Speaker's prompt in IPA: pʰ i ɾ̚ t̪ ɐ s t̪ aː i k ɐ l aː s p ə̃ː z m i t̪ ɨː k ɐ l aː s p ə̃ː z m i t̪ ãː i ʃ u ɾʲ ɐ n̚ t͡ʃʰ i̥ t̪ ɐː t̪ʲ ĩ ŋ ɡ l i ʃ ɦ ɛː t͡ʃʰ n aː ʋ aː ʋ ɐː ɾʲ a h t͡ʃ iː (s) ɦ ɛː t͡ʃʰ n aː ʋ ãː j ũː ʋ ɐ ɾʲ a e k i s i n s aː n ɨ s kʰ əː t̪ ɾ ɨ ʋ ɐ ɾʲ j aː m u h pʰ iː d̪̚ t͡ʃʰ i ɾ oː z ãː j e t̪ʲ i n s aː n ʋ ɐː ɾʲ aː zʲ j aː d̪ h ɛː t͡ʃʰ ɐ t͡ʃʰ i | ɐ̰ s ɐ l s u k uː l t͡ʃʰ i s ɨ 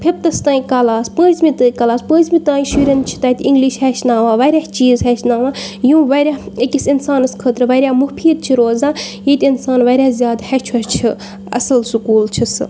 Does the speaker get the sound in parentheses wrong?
yes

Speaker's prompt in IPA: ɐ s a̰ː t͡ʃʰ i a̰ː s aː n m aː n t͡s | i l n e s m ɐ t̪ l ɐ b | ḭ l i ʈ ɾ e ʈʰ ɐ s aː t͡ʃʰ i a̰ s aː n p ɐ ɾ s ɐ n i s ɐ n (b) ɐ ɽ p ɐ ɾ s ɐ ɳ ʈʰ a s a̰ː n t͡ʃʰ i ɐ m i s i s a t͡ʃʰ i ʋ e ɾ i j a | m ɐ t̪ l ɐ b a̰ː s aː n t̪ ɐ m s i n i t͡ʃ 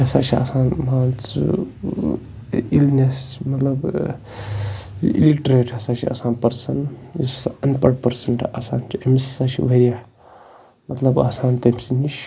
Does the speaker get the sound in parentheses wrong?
yes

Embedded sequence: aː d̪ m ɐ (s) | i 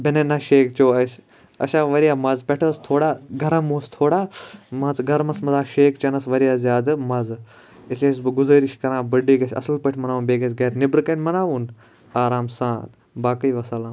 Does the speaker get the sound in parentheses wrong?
yes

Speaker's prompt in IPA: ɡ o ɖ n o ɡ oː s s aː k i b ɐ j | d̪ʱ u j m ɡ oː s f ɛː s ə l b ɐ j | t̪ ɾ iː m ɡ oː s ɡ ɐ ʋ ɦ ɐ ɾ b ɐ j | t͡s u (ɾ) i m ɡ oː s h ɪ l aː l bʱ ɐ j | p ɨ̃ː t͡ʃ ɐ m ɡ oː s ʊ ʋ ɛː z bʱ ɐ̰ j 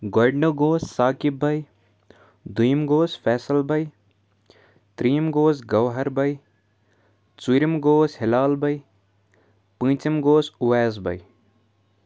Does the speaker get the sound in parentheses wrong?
no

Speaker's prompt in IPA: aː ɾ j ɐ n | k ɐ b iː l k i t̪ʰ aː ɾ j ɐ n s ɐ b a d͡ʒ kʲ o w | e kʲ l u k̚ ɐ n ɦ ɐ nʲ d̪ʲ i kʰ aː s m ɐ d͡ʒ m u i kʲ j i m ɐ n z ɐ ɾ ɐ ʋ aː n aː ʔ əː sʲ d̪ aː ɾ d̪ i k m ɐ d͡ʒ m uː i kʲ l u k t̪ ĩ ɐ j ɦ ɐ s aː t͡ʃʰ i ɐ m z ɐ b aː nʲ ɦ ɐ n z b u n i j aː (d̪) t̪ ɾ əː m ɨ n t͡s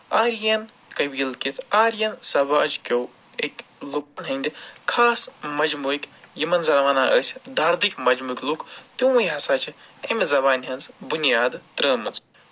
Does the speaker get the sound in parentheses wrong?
no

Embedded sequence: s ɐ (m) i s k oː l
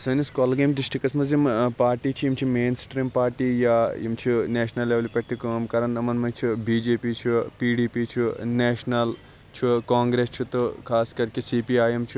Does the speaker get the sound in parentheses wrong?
yes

